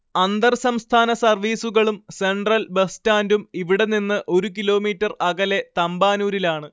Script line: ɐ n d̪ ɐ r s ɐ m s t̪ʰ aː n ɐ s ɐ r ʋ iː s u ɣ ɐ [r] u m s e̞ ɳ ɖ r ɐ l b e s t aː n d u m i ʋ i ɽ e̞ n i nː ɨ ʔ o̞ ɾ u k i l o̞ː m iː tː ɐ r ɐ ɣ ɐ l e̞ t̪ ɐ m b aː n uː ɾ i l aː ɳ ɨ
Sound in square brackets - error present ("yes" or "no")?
yes